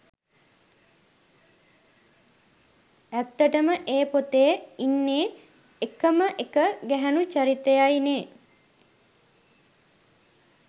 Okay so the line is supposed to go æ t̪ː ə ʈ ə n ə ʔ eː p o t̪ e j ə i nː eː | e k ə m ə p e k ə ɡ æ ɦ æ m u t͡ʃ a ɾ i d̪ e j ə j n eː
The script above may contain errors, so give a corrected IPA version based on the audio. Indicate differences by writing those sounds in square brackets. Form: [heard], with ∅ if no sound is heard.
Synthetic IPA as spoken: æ t̪ː ə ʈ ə [m] ə ʔ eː p o t̪ e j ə i nː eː | e k ə m ə [ʔ] e k ə ɡ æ ɦ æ [n] u t͡ʃ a ɾ i [t̪] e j [a] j n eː